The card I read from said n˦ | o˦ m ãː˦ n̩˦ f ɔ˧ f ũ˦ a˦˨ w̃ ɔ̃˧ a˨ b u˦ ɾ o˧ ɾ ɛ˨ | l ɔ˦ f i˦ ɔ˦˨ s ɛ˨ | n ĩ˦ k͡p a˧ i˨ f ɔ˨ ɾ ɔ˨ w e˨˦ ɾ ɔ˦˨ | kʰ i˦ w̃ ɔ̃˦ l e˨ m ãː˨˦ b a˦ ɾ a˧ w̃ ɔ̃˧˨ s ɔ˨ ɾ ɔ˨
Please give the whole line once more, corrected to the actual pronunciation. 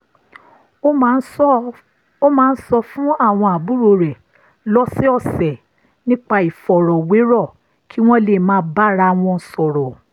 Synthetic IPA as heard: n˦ | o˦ m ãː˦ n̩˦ s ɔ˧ f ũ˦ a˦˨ w̃ ɔ̃˧ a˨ b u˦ ɾ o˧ ɾ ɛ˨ | l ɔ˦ s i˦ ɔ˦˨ s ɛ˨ | n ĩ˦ k͡p a˧ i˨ f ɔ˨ ɾ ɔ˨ w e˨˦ ɾ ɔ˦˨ | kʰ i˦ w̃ ɔ̃˦ l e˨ m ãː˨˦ b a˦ ɾ a˧ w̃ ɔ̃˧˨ s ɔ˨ ɾ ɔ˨